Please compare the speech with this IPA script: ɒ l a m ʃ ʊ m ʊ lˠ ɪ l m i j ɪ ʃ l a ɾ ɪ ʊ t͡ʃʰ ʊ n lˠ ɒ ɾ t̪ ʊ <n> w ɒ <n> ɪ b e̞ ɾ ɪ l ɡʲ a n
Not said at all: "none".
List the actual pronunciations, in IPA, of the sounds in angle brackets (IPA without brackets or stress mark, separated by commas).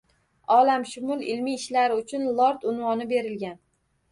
n, n